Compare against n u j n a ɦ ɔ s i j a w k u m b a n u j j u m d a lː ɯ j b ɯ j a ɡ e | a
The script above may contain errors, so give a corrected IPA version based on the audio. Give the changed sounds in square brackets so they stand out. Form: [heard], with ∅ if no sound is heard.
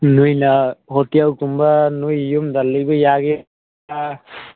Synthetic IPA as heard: n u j n a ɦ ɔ [t] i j a w k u m b a n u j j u m d a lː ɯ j b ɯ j a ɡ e | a